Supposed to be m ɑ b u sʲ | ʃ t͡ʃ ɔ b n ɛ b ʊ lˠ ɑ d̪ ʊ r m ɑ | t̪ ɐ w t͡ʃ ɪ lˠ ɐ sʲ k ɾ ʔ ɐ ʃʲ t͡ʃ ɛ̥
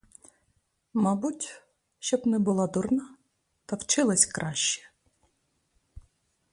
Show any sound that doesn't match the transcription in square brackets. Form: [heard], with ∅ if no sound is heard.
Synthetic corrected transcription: m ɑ b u [tʲ] | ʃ t͡ʃ ɔ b n ɛ b ʊ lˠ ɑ d̪ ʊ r [n] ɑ | t̪ ɐ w t͡ʃ ɪ lˠ ɐ sʲ k ɾ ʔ [ɑ] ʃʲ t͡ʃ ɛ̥